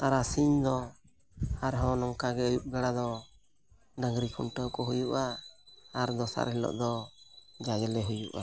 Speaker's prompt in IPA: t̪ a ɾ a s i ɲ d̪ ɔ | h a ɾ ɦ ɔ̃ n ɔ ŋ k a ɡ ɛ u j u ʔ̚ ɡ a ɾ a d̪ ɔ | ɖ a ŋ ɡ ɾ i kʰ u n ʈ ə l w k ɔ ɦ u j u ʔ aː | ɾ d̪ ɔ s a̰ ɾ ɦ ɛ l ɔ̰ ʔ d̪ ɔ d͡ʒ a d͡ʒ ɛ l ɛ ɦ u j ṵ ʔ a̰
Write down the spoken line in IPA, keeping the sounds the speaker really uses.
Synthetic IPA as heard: t̪ a ɾ a s i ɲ d̪ ɔ | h a ɾ ɦ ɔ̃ n ɔ ŋ k a ɡ ɛ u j u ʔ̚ ɡ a ɽ a d̪ ɔ | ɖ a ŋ ɡ ɾ i kʰ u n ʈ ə w k ɔ ɦ u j u ʔ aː | ɾ d̪ ɔ s a̰ ɾ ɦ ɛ l ɔ̰ ʔ d̪ ɔ d͡ʒ a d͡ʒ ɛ l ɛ ɦ u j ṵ ʔ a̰